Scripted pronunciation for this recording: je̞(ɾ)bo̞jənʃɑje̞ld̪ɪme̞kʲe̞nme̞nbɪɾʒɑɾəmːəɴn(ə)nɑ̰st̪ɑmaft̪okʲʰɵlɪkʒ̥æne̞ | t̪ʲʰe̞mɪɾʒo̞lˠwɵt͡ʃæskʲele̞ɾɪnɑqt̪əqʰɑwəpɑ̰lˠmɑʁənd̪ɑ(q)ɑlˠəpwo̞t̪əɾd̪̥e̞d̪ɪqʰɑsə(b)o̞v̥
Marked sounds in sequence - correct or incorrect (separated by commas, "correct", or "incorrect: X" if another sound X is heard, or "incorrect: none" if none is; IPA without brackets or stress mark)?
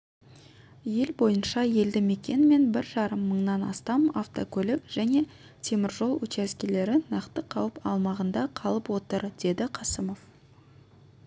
incorrect: l, incorrect: ɑ, incorrect: qʰ, incorrect: m